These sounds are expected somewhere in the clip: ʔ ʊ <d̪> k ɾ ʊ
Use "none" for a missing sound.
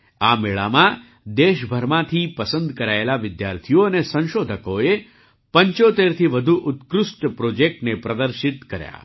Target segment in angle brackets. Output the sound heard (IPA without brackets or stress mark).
t̪